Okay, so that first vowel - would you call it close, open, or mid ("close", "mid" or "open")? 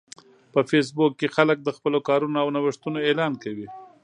mid